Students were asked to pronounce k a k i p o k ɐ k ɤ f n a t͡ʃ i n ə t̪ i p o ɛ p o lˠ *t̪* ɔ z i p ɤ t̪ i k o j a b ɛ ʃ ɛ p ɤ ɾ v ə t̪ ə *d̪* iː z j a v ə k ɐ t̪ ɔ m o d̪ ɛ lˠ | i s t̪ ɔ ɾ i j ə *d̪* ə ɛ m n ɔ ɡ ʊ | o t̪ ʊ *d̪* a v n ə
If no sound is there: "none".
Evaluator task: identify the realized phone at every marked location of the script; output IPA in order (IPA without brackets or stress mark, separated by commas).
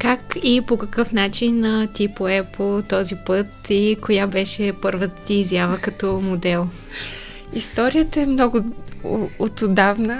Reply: t̪, t̪, t̪, d̪